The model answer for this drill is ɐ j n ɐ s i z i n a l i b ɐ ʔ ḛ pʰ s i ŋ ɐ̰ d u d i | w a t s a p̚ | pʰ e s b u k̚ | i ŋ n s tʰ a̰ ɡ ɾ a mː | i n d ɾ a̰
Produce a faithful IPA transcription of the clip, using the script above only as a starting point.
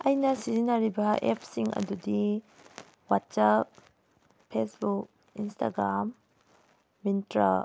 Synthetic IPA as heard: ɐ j n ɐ s i z i n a ɾ i b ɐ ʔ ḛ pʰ s i ŋ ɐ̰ d u d i | w a t s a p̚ | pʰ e s b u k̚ | i n s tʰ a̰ ɡ ɾ a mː | i n t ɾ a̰